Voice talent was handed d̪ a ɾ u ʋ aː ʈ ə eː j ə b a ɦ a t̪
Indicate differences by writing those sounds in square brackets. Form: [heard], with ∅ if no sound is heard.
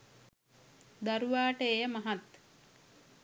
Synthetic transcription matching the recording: d̪ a ɾ u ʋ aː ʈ ə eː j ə [m] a ɦ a t̪